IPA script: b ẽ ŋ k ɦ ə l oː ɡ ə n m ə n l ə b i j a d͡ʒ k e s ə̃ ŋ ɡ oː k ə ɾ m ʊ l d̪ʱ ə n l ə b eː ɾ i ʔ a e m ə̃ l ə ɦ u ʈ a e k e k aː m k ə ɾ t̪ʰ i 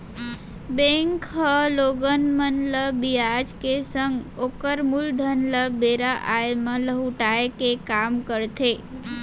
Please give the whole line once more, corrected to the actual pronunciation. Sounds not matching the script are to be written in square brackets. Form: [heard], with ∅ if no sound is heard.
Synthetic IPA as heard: b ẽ ŋ k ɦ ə l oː ɡ ə n m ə n l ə b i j a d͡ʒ k e s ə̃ ŋ ɡ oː k ə ɾ m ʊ l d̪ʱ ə n l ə b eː ɾ [a] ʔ a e m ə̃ l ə ɦ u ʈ a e k e k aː m k ə ɾ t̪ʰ [e]